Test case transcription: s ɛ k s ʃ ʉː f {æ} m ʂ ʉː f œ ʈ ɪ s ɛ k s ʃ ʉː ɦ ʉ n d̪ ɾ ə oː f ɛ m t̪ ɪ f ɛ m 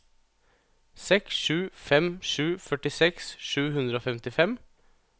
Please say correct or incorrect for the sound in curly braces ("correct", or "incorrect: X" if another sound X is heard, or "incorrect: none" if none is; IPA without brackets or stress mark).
incorrect: ɛ